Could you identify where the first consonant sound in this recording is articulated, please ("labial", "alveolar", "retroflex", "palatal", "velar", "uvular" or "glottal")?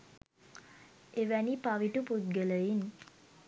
labial